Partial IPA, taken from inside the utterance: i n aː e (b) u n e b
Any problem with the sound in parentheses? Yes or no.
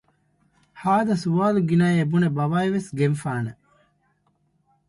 no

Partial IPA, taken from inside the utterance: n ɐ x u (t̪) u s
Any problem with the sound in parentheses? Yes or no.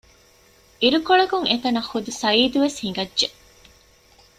yes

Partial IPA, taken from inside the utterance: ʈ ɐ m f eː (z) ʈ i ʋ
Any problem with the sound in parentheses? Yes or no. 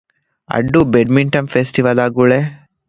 yes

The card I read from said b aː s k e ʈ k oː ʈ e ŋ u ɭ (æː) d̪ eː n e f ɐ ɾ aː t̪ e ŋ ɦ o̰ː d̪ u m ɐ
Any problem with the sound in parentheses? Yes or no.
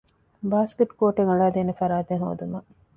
yes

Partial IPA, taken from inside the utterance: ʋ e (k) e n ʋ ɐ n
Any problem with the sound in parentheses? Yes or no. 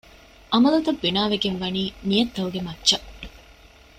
yes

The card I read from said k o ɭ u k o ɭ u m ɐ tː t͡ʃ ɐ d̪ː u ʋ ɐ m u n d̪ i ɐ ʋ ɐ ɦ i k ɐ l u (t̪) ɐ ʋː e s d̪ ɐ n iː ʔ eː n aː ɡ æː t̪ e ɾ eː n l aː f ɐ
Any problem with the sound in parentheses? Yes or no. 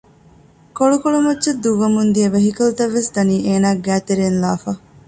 no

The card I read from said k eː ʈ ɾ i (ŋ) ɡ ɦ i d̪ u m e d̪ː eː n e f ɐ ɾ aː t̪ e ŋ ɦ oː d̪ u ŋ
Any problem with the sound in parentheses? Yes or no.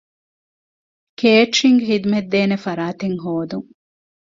no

